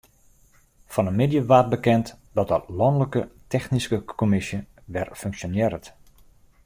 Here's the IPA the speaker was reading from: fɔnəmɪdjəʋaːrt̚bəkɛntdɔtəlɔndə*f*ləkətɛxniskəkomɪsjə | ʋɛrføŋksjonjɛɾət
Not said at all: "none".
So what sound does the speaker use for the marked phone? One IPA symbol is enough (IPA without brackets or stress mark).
none